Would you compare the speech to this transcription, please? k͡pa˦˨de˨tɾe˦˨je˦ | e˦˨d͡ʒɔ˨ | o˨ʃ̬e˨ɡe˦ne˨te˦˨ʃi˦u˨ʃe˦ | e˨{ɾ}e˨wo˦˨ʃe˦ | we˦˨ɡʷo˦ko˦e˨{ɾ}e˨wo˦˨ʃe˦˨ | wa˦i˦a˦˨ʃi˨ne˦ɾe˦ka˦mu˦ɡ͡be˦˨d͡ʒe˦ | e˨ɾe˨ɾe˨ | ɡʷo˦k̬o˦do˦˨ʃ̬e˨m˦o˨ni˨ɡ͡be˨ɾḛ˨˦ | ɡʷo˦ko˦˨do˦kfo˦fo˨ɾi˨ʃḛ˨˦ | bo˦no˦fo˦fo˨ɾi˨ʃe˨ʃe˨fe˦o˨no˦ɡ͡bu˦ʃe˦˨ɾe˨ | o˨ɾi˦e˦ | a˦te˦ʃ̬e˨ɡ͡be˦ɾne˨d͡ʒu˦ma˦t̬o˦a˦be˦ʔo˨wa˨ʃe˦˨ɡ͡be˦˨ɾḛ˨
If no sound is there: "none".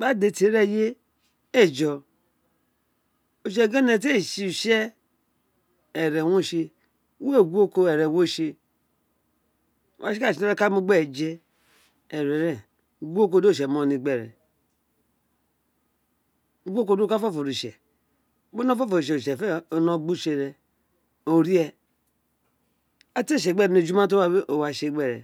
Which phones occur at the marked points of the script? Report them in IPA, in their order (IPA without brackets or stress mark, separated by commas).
ɾ, ɾ